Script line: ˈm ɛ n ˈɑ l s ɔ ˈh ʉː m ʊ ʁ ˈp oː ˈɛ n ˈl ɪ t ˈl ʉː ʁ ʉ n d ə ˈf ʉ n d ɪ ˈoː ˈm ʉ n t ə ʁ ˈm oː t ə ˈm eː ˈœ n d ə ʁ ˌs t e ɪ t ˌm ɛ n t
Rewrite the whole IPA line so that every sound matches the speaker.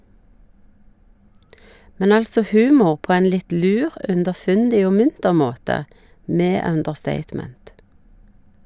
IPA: ˈm ɛ n ˈɑ l s ɔ ˈh ʉː m ʊ ʁ ˈp oː ˈɛ n ˈl ɪ t ˈl ʉː ʁ ʉ n d ə ˈf ʉ n d ɪ ˈoː ˈm ʉ n t ə ʁ ˈm oː t ə ˈm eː ˈœ n d ə ʁ ˌs t e ɪ t ˌm ɛ n t